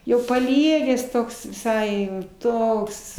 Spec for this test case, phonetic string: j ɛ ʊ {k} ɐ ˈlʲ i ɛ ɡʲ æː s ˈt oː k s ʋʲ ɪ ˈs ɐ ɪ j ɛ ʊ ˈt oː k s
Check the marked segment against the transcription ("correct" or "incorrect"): incorrect